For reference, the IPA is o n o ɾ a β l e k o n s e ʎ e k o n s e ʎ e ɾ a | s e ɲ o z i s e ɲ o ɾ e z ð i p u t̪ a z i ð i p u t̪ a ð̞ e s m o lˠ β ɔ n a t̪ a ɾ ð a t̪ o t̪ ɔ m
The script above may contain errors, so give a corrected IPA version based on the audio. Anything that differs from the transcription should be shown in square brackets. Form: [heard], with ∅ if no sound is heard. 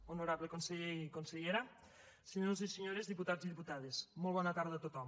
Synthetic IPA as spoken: o n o ɾ a β l e k o n s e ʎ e k o n s e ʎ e ɾ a | s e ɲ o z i s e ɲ o ɾ e z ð i p u t̪ a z i ð i p u t̪ a ð̞ e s m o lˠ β ɔ n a t̪ a ɾ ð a t̪ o t̪ ɔ m